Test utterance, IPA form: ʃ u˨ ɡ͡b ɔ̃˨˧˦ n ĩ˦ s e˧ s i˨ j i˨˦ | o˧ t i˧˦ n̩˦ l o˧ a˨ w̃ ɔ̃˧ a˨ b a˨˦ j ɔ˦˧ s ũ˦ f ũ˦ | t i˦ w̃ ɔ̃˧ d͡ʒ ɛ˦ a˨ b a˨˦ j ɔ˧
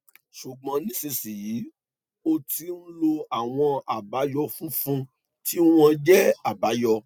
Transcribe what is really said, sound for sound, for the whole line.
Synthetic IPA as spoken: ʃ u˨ ɡ͡b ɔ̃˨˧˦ n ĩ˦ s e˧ s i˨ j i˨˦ | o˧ t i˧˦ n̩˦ l o˧ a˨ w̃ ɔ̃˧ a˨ b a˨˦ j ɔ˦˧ f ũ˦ f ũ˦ | t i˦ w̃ ɔ̃˧ d͡ʒ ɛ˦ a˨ b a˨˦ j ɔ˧